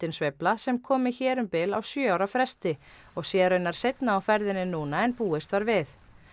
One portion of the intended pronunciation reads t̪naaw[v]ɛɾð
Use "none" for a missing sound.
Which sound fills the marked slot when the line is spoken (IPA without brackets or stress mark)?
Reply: f